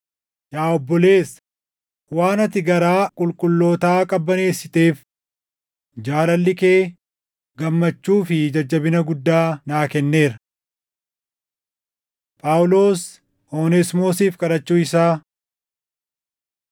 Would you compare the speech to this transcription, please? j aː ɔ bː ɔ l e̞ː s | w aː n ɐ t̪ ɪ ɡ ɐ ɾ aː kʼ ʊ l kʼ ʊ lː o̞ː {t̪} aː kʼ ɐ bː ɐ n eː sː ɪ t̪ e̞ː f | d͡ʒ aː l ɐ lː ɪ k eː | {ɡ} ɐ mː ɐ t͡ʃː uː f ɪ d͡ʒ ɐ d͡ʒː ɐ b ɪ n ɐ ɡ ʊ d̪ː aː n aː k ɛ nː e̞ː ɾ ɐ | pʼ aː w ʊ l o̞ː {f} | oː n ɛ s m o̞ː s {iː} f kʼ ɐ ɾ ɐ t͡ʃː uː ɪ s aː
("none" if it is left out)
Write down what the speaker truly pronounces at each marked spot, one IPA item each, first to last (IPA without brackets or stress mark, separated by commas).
t̪, ɡ, s, iː